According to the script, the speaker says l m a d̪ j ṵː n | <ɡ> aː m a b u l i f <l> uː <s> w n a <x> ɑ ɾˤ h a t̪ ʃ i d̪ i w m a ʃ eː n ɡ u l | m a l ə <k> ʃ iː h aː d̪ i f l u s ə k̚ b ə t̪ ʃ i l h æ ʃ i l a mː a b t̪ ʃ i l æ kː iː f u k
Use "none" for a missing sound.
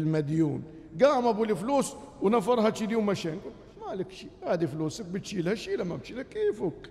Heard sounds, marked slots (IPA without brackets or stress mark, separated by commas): ɡ, l, s, f, k